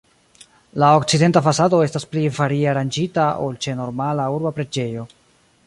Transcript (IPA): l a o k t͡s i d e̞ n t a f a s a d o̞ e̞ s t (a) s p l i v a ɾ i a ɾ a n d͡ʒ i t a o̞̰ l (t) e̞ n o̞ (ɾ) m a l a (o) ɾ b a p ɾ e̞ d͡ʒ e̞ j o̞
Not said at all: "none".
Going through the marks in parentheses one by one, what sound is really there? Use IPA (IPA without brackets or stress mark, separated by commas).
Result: a, t͡ʃ, ɾ, u